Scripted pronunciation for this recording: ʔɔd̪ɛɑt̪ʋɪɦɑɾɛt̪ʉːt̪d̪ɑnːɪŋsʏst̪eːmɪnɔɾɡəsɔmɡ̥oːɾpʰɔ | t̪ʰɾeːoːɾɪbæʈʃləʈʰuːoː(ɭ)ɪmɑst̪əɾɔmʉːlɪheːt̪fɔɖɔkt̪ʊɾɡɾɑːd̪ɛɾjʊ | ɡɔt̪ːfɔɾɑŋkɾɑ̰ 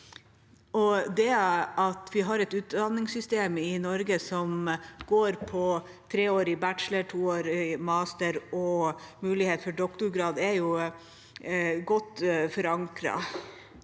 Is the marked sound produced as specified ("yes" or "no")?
no